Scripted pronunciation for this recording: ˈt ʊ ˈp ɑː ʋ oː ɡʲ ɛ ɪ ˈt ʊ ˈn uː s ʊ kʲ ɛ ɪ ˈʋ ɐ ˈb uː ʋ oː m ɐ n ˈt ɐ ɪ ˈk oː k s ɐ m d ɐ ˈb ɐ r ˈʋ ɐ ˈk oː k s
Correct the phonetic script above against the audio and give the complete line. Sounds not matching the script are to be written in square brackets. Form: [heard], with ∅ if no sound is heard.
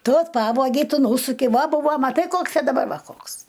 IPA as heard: ˈt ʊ ˈp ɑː ʋ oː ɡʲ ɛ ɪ ˈt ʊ ˈn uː s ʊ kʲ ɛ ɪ ˈʋ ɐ ˈb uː ʋ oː m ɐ [∅] ˈt ɐ ɪ ˈk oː k s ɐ [∅] d ɐ ˈb ɐ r ˈʋ ɐ ˈk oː k s